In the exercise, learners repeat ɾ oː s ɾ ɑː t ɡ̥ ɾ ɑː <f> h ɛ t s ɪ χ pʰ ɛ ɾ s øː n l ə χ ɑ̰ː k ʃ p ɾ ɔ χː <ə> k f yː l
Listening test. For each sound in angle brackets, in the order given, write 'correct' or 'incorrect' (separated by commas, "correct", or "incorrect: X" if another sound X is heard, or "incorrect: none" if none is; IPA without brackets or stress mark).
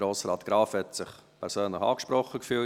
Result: correct, correct